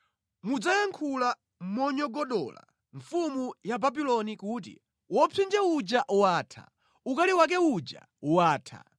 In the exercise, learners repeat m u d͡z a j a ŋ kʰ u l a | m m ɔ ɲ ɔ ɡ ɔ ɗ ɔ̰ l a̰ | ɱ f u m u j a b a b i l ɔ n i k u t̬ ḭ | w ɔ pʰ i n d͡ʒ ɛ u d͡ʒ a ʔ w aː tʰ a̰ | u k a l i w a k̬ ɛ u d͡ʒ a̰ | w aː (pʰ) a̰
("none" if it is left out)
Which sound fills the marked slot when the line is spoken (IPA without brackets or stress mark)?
tʰ